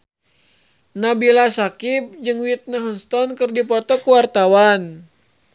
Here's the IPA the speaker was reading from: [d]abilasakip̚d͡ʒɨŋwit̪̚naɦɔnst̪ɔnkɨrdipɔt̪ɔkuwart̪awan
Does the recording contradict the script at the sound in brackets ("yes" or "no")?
yes